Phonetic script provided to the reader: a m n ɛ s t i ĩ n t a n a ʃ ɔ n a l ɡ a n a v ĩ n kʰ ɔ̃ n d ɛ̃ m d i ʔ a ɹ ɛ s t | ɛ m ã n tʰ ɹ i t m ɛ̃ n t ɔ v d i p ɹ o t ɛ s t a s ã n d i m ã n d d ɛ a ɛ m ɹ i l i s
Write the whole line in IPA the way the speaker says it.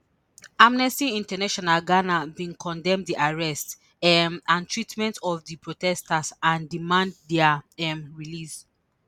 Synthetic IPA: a m n ɛ s t i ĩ n t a n a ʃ ɔ n a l ɡ a n a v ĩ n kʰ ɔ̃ n d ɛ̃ m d i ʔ a ɹ ɛ s t | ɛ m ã n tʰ ɹ i t m ɛ̃ n t ɔ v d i p ɹ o t ɛ s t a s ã n d i m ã n d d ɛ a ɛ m ɹ i l i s